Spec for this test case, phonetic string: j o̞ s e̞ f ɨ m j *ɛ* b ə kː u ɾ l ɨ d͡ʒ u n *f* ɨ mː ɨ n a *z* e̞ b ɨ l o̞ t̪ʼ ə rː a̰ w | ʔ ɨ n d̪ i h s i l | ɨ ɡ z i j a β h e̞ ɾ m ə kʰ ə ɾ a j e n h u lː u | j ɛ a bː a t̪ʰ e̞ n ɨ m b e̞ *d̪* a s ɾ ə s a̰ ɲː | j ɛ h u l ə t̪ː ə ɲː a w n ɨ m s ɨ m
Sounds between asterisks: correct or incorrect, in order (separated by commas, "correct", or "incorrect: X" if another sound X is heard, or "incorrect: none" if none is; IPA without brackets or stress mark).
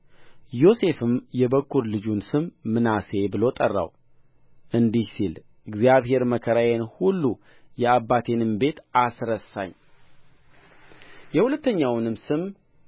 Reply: correct, incorrect: s, incorrect: s, incorrect: t̪